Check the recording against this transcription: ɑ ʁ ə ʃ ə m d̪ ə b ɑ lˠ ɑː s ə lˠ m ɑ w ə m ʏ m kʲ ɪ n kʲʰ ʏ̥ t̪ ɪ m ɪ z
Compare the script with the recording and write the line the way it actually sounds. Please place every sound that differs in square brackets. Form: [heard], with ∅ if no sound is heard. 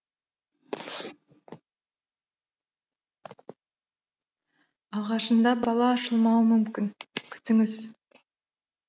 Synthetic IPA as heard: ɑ ʁ [ɑ] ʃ ə [n] d̪ [ɑ] b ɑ lˠ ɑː [ʃ] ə lˠ m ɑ w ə m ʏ m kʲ ɪ n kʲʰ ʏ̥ t̪ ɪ [ŋ] ɪ z

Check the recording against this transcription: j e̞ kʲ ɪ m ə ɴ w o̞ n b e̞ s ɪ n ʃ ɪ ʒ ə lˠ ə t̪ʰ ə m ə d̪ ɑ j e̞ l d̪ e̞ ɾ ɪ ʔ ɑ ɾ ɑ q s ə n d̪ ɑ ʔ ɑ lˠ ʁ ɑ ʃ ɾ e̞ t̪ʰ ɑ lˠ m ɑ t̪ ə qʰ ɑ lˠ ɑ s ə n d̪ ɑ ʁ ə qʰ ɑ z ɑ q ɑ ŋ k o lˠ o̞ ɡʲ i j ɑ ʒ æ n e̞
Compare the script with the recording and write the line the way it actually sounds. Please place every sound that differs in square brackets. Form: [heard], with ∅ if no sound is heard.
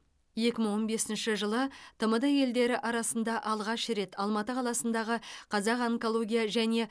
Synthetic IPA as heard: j e̞ kʲ ɪ m ə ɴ w o̞ n b e̞ s ɪ n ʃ ɪ ʒ ə lˠ ə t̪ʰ ə m ə d̪ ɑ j e̞ l d̪ e̞ ɾ ɪ ʔ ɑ ɾ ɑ [∅] s ə n d̪ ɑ ʔ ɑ lˠ ʁ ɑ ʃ ɾ e̞ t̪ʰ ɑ lˠ m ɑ t̪ ə qʰ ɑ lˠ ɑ s ə n d̪ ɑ ʁ ə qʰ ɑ z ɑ q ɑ ŋ k o lˠ o̞ ɡʲ i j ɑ ʒ æ n e̞

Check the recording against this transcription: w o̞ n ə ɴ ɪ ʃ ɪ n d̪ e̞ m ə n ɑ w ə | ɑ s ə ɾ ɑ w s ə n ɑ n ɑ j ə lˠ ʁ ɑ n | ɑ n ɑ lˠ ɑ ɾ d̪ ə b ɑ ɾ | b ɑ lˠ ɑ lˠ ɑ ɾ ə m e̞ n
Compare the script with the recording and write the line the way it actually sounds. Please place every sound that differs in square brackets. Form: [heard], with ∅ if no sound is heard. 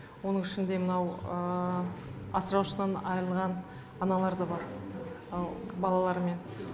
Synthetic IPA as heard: w o̞ n ə ɴ ɪ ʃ ɪ n d̪ e̞ m ə n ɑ w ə | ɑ s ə ɾ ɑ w [ʃ] ə n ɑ n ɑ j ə lˠ ʁ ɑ n | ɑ n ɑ lˠ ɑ ɾ d̪ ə b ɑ ɾ | b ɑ lˠ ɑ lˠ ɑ ɾ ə m e̞ n

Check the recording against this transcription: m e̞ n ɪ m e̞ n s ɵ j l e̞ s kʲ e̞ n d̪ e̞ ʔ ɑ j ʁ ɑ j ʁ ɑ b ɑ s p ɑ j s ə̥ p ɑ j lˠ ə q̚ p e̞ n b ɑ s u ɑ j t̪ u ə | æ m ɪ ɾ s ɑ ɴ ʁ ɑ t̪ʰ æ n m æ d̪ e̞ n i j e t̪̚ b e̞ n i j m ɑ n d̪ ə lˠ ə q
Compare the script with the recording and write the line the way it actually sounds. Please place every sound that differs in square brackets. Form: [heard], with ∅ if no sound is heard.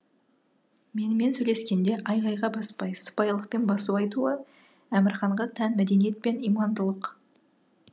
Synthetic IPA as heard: m e̞ n ɪ m e̞ n s ɵ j l e̞ s kʲ e̞ n d̪ e̞ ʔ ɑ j ʁ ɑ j ʁ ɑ b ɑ s p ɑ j s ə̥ p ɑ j lˠ ə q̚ p e̞ n b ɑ s u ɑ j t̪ u ə | æ m ɪ ɾ [χ] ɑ ɴ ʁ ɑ t̪ʰ æ n m æ d̪ e̞ n i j e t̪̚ [p] e̞ n i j m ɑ n d̪ ə lˠ ə q

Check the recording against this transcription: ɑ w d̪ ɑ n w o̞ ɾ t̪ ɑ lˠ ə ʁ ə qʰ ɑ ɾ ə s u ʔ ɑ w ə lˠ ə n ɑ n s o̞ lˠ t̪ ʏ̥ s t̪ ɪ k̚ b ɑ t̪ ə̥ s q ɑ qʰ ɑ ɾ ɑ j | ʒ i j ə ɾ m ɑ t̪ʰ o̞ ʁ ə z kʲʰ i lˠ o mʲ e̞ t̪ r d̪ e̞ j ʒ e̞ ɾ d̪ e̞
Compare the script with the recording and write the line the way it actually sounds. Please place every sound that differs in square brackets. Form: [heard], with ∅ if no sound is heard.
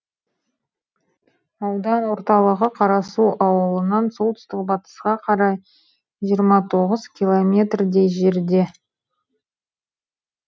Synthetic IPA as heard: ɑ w d̪ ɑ n w o̞ ɾ t̪ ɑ lˠ ə ʁ ə qʰ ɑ ɾ [ɑ] s u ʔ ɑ w ə lˠ ə n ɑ n s o̞ lˠ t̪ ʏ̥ s t̪ ɪ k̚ b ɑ t̪ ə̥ s q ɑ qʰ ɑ ɾ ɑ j | ʒ i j ə ɾ m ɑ t̪ʰ o̞ ʁ ə z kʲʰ i lˠ o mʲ e̞ t̪ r d̪ e̞ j ʒ e̞ ɾ d̪ e̞

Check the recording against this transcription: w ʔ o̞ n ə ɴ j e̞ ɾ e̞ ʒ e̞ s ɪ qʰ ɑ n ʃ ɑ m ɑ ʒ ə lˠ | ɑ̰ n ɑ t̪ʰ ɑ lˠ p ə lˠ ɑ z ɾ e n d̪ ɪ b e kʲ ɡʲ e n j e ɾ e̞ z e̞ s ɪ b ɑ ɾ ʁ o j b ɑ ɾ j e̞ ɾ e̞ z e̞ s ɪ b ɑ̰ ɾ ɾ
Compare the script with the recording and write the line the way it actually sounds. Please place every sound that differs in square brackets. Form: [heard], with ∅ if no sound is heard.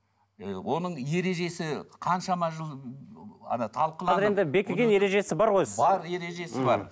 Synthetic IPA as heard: w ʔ o̞ n ə ɴ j e̞ ɾ e̞ ʒ e̞ s ɪ qʰ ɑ n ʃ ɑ m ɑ ʒ ə lˠ | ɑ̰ n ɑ t̪ʰ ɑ lˠ [q] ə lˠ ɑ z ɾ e n d̪ ɪ b e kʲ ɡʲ e n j e ɾ e̞ [ʒ] e̞ s ɪ b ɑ ɾ ʁ o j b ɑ ɾ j e̞ ɾ e̞ [ʒ] e̞ s ɪ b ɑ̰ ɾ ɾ

